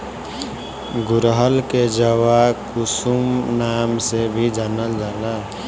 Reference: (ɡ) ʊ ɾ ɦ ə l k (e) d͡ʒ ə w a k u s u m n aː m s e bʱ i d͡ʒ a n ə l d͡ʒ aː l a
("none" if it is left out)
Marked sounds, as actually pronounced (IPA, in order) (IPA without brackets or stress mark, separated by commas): ɡ, e